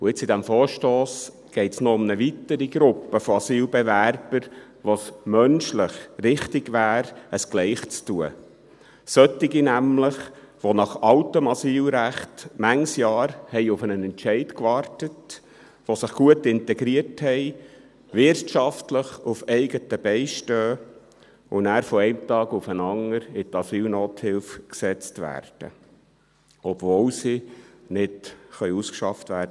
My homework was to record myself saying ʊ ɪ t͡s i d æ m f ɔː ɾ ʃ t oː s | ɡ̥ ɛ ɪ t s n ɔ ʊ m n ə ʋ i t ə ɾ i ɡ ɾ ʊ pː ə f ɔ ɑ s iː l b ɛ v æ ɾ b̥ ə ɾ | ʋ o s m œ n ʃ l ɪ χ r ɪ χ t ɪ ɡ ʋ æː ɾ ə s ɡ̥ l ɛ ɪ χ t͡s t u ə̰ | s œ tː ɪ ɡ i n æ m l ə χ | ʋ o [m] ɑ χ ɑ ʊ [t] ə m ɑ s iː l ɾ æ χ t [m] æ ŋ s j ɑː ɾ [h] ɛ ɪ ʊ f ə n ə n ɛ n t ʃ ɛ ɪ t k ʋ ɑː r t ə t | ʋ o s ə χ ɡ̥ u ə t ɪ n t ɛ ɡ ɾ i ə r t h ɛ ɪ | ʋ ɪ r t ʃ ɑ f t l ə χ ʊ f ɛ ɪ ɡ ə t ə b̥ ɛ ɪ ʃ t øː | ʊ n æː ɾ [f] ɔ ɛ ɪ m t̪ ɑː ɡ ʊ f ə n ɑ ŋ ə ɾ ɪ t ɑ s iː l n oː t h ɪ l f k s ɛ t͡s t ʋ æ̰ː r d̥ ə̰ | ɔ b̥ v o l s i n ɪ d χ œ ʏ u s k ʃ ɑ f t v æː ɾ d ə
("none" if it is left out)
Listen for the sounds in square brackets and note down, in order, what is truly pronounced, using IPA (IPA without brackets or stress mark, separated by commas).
n, t, m, h, f